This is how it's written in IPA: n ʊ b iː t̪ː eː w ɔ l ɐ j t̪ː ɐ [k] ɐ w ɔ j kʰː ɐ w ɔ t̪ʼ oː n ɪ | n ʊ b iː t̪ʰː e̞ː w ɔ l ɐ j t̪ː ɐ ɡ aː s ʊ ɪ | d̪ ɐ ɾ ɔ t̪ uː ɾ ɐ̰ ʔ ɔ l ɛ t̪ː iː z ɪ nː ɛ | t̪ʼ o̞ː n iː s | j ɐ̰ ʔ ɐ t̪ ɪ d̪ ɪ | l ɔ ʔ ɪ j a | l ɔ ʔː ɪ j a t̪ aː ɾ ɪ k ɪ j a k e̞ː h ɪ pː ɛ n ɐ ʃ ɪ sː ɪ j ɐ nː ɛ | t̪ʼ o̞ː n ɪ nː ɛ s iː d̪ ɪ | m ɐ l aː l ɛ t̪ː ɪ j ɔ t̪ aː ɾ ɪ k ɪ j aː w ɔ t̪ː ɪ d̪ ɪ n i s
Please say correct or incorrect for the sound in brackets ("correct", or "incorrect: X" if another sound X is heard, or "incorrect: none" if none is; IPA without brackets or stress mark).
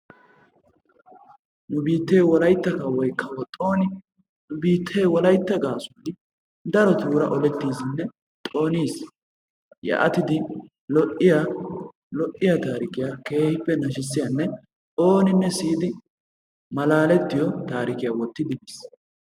correct